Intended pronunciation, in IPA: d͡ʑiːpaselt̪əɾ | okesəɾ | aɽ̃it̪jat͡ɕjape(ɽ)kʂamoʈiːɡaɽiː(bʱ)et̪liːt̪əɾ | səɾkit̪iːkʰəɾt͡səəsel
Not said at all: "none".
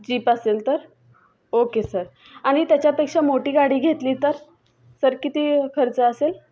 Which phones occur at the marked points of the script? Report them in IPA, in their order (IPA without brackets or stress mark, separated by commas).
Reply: none, ɡʱ